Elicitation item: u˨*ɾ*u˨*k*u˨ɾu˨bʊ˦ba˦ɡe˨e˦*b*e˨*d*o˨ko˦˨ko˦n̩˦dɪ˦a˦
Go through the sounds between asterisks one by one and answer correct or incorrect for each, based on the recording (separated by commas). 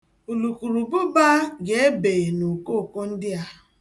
incorrect, correct, correct, incorrect